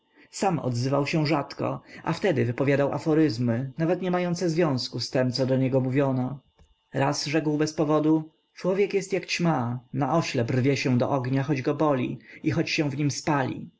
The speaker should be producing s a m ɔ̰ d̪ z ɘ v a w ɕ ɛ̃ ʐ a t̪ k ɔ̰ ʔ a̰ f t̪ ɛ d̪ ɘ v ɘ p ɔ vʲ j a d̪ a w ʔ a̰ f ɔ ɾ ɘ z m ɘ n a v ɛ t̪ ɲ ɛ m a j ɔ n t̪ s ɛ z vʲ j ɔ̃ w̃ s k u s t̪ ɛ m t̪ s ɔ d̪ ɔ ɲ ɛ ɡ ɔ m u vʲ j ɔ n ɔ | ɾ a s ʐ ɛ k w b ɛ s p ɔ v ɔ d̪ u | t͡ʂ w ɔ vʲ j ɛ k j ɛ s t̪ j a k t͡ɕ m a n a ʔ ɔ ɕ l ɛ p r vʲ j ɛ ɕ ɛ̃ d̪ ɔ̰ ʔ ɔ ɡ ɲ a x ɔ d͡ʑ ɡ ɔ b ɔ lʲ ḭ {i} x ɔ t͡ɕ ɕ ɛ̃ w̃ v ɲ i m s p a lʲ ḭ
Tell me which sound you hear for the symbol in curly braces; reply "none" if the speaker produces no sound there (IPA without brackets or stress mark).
i